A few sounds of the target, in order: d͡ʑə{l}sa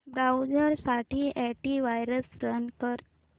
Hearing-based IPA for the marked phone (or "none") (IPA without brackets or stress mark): ɾ